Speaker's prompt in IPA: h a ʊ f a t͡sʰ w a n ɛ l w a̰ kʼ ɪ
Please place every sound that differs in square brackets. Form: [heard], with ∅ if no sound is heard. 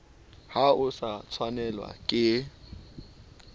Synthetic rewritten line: h a ʊ [s] a t͡sʰ w a n ɛ l w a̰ kʼ ɪ